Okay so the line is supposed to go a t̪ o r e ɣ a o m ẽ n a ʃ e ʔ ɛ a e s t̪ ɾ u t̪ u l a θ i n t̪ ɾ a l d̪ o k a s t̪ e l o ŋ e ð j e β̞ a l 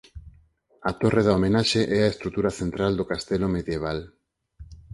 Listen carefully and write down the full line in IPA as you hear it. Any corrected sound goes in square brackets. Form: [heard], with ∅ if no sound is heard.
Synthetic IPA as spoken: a t̪ o r e [ð] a o m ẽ n a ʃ e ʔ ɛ a e s t̪ ɾ u t̪ u [ɾ] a θ [e] n t̪ ɾ a l d̪ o k a s t̪ e l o [m] e ð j e β̞ a l